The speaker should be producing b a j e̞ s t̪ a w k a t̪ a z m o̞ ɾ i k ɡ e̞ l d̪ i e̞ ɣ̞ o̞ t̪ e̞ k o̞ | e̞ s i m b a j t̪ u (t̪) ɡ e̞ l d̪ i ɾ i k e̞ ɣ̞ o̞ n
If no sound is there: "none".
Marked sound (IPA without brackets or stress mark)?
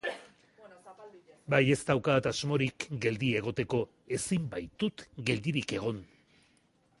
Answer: t̪